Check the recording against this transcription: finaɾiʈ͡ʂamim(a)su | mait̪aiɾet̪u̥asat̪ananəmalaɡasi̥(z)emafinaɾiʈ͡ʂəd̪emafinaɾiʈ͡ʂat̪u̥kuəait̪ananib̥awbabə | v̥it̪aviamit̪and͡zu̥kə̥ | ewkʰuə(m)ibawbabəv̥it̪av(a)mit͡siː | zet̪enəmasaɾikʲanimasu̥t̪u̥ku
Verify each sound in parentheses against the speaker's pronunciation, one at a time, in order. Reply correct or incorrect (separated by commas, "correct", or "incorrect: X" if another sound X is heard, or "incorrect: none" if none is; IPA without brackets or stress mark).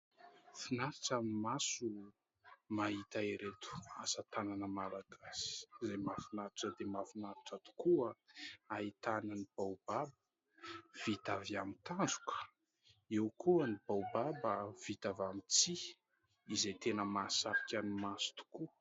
correct, correct, incorrect: n, correct